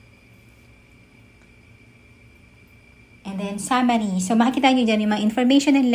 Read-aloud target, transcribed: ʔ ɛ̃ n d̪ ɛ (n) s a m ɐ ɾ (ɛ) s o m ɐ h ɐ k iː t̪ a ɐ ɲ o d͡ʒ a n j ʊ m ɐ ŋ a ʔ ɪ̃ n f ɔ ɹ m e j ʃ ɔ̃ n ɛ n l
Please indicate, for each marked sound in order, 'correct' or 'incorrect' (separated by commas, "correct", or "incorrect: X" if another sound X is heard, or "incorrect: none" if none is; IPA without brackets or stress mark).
correct, incorrect: i